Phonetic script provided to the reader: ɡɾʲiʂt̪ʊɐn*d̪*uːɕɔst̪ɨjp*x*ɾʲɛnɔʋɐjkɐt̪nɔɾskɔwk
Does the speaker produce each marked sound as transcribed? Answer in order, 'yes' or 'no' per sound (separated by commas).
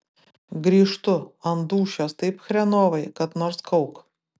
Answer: yes, yes